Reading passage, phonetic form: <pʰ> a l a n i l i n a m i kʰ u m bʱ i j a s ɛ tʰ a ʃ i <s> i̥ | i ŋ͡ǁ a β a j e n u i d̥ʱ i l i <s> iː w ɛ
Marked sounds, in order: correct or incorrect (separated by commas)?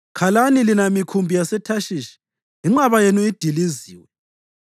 incorrect, incorrect, incorrect